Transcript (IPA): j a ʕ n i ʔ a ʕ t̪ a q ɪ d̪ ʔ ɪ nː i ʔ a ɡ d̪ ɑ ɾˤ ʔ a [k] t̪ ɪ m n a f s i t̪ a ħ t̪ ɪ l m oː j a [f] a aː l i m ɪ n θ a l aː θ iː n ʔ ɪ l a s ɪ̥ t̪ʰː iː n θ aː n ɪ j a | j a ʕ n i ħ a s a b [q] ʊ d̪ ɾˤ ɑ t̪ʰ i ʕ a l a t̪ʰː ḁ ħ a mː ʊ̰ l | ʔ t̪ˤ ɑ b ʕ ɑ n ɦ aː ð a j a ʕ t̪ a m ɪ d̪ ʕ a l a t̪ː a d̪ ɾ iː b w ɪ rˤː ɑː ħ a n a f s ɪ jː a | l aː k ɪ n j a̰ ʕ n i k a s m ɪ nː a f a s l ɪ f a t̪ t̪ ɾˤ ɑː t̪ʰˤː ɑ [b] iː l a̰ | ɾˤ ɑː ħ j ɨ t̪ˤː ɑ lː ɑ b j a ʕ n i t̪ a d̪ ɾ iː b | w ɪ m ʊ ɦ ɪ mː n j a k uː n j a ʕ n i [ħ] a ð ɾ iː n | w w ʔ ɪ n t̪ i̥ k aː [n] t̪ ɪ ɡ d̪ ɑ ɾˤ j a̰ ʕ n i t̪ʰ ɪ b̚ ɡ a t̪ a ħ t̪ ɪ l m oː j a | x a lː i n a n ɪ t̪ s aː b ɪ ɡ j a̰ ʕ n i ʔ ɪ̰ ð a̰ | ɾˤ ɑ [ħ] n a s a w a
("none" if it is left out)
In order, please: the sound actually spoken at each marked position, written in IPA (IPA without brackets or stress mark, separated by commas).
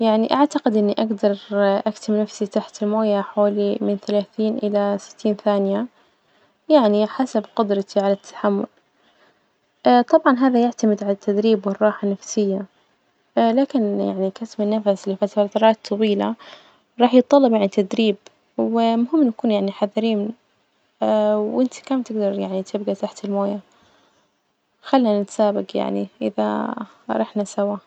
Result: k, ħ, q, w, ħ, m, ħ